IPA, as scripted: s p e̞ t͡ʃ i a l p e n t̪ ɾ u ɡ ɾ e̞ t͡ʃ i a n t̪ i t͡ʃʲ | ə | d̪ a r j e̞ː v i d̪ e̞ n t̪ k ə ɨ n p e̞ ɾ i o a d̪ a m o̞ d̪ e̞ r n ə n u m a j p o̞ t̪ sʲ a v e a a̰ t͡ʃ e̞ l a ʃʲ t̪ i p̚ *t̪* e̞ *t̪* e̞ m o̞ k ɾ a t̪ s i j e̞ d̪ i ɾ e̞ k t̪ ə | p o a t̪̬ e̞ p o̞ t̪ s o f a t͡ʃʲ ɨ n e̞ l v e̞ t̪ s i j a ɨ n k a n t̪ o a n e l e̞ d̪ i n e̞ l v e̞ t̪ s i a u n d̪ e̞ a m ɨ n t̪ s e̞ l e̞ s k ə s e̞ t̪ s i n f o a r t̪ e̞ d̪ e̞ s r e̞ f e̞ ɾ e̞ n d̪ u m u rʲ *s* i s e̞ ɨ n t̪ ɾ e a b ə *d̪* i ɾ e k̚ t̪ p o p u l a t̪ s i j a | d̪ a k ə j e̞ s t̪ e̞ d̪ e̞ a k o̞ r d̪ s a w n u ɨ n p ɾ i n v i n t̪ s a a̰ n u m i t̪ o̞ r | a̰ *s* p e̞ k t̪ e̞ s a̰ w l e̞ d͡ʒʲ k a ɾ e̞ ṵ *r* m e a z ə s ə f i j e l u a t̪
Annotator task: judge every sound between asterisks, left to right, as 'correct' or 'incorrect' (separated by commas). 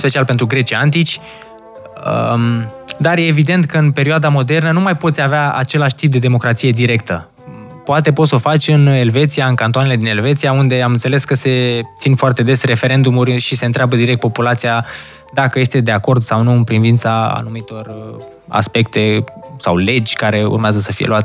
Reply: incorrect, incorrect, incorrect, correct, correct, correct